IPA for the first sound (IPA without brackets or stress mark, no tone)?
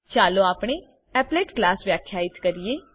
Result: t͡ʃ